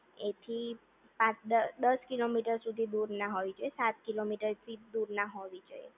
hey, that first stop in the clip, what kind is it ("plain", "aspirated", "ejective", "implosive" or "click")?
aspirated